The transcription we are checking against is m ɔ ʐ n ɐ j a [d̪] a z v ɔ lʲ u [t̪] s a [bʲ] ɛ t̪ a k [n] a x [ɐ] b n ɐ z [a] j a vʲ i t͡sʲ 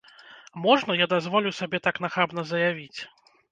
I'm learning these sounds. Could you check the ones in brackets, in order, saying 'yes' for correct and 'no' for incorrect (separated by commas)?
yes, no, yes, yes, no, no